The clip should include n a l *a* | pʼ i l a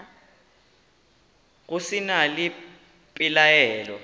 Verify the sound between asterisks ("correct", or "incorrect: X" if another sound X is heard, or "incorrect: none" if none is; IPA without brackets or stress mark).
incorrect: i